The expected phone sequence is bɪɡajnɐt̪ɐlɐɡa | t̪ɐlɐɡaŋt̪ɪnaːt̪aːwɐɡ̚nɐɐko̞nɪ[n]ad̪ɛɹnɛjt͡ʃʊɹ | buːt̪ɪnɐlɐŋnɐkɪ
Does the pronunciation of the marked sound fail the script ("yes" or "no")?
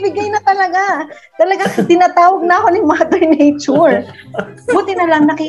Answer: yes